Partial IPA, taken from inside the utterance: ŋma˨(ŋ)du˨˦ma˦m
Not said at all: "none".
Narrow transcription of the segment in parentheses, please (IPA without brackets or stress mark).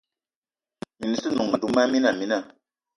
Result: none